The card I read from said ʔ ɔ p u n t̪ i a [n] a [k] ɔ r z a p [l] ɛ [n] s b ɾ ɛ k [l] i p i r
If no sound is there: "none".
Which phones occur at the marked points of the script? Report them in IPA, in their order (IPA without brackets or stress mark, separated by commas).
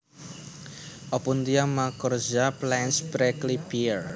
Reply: m, k, l, n, l